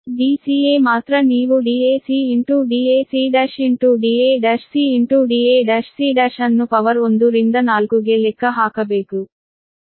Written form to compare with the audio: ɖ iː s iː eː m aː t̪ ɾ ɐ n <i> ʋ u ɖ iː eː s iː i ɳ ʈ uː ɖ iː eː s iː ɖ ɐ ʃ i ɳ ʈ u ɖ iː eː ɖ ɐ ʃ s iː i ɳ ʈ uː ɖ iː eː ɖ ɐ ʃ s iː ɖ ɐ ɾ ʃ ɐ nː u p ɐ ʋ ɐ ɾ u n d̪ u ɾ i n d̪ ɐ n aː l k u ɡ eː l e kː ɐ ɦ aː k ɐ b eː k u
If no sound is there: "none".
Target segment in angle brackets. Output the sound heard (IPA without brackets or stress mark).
iː